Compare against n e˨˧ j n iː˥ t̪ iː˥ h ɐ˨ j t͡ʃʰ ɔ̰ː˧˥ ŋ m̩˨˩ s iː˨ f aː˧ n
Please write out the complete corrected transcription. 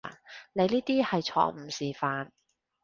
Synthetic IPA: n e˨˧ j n iː˥ t̪ iː˥ h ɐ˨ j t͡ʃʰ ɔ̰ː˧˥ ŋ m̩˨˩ s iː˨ f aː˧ n